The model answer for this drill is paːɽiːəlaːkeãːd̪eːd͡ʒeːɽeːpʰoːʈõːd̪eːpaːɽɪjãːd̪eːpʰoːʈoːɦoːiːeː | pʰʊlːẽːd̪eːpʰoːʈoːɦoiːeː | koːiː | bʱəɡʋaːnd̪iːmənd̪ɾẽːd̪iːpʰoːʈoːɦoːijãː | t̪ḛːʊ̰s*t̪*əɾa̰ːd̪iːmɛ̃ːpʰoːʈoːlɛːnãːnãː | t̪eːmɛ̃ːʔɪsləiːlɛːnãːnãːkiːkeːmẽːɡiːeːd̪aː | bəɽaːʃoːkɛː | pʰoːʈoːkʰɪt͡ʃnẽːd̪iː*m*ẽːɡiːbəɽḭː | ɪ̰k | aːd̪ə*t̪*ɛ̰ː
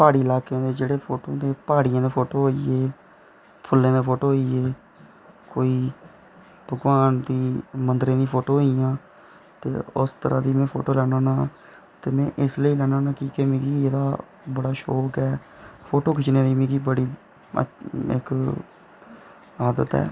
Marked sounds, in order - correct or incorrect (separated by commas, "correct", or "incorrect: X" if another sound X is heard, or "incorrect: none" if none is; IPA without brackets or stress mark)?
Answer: correct, correct, correct